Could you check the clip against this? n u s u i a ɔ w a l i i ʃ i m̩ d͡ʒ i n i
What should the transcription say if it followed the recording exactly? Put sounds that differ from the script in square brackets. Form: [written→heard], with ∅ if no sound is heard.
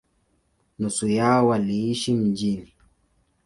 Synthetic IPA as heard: n u s u [i→j] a ɔ w a l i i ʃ i m̩ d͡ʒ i n i